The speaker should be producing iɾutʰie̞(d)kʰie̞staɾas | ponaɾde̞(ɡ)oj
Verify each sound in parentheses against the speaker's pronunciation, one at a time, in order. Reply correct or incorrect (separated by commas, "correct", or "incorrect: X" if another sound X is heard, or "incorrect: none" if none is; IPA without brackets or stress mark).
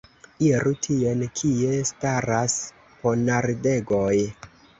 incorrect: n, correct